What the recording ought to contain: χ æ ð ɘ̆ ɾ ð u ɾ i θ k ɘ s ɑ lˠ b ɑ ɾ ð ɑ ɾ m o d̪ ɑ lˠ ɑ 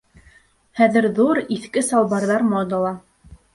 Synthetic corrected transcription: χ æ ð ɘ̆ ɾ ð u ɾ i θ k ɘ s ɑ lˠ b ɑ ɾ ð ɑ ɾ m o d̪ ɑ lˠ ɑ